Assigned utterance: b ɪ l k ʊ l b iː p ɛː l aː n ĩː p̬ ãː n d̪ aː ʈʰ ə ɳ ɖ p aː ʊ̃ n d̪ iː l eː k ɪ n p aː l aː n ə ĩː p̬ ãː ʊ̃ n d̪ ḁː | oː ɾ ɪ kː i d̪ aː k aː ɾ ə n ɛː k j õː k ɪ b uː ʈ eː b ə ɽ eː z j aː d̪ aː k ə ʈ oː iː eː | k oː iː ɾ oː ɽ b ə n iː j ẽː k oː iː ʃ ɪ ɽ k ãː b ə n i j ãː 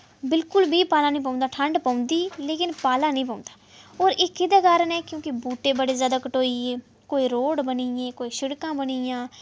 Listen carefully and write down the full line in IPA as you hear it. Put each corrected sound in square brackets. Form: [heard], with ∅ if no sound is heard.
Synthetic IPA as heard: b ɪ l k ʊ l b iː p [aː] l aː n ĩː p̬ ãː n d̪ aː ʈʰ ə ɳ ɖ p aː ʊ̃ n d̪ iː l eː k ɪ n p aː l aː n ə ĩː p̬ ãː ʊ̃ n d̪ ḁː | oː ɾ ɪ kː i d̪ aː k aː ɾ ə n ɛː k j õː k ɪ b uː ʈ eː b ə ɽ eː z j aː d̪ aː k ə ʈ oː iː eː | k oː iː ɾ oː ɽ b ə n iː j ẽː k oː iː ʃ ɪ ɽ k ãː b ə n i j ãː